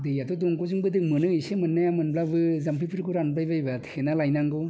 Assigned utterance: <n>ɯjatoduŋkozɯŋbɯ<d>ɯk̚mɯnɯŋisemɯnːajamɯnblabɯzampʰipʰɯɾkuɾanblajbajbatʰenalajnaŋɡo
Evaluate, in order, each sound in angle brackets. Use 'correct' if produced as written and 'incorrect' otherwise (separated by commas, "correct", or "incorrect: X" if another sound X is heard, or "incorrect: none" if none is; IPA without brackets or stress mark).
incorrect: d, correct